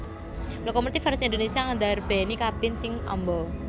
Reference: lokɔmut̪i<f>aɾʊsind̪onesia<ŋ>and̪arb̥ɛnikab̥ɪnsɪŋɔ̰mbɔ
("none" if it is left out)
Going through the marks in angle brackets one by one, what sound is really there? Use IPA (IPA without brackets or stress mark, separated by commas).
f, ŋ